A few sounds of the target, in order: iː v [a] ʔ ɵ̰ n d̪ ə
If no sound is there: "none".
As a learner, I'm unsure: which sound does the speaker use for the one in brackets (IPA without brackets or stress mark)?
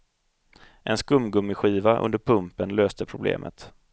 a